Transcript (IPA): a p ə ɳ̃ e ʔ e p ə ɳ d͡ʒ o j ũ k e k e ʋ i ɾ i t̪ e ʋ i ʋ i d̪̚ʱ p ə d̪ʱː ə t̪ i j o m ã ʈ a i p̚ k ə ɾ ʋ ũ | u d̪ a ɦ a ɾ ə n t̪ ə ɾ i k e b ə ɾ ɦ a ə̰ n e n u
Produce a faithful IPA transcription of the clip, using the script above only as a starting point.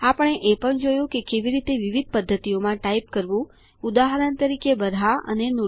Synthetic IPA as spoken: a p ə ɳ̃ e ʔ e p ə ɳ d͡ʒ o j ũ k e k e ʋ i ɾ i t̪ e ʋ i ʋ i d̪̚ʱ p ə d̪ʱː ə t̪ i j o m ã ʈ a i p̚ k ə ɾ ʋ ũ | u d̪ a ɦ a ɾ ə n t̪ ə ɾ i k e b ə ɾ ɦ a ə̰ n e n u

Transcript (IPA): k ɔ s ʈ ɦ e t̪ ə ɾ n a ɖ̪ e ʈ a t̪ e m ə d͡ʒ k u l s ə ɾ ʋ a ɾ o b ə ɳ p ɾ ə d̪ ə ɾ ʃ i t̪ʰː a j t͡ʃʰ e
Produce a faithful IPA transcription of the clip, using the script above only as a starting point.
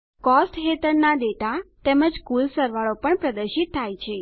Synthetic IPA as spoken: k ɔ s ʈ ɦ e t̪ ə ɾ n a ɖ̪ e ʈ a t̪ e m ə d͡ʒ k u l s ə ɾ ʋ a ɭ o p ə ɳ p ɾ ə d̪ ə ɾ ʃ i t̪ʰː a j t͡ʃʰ e

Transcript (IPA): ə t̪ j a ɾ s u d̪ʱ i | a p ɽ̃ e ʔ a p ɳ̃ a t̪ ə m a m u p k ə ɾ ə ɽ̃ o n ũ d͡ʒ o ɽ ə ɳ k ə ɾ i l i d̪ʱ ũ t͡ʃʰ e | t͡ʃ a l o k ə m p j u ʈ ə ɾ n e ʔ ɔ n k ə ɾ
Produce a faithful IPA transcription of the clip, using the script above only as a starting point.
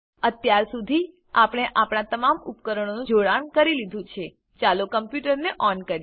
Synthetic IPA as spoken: ə t̪ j a ɾ s u d̪ʱ i | a p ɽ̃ e ʔ a p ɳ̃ a t̪ ə m a m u p k ə ɾ ə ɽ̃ o n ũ d͡ʒ o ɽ a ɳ k ə ɾ i l i d̪ʱ ũ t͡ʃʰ e | t͡ʃ a l o k ə m p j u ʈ ə ɾ n e ʔ ɔ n k ə ɾ

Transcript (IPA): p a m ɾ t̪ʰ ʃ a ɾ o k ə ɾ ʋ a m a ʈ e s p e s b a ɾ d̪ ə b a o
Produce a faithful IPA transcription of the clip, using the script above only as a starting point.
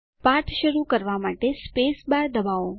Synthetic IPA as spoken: p a ɾ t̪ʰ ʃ ə ɾ u k ə ɾ ʋ a m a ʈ e s p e s b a ɾ d̪ ə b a o

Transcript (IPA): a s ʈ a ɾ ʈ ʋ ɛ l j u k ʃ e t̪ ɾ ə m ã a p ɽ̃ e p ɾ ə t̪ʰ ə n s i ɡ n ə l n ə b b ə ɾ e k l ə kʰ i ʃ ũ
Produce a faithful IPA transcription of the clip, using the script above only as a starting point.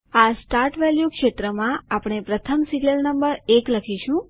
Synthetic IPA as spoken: a s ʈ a ɾ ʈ ʋ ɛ l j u k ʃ e t̪ ɾ ə m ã a p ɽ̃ e p ɾ ə t̪ʰ ə m s i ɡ n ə l n ə m b ə ɾ e k l ə kʰ i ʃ ũ

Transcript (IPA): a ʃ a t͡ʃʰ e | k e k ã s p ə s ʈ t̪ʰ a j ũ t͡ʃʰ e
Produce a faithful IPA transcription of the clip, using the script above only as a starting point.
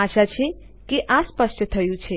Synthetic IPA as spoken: a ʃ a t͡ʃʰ e | k e ʔ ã s p ə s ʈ t̪ʰ ə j ũ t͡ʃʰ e

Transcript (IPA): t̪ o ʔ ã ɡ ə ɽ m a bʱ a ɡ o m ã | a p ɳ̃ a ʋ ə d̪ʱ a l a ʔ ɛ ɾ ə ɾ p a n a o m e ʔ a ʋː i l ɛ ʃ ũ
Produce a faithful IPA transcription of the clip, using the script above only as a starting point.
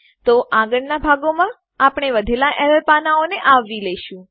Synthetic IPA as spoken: t̪ o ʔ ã ɡ ə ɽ n a bʱ a ɡ o m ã | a p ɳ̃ e ʋ ə d̪ʱ e l a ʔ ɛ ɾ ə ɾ p a n a o n e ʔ a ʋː i l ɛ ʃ ũ

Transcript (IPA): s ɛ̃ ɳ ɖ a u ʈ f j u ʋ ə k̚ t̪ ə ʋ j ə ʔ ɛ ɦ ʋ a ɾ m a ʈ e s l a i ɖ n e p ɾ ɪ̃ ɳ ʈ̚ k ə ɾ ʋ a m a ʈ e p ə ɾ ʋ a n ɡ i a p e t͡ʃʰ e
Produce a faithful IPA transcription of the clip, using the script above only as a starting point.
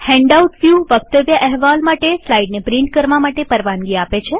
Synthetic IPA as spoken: h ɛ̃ ɳ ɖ a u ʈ f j u ʋ ə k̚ t̪ ə ʋ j ə ʔ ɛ ɦ ʋ a l m a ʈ e s l a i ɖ n e p ɾ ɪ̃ ɳ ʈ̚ k ə ɾ ʋ a m a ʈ e p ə ɾ ʋ a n ɡ i a p e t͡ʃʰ e

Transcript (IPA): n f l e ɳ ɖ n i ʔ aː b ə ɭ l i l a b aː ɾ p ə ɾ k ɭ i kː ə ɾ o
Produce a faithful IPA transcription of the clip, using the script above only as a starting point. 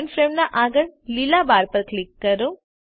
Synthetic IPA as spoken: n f ɾ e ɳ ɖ n a ʔ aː ɡ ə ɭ l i l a b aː ɾ p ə ɾ k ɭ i kː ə ɾ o

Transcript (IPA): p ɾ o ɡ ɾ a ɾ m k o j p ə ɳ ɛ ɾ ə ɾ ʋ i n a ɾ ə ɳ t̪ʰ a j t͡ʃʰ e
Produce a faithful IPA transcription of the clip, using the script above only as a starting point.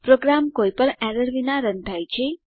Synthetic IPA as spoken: p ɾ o ɡ ɾ a m k o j p ə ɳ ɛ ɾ ə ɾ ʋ i n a ɾ ə n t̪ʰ a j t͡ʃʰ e

